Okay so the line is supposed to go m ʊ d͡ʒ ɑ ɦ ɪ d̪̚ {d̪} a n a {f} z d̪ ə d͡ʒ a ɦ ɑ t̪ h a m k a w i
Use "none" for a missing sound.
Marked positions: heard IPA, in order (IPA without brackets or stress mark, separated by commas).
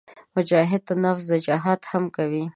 t̪, f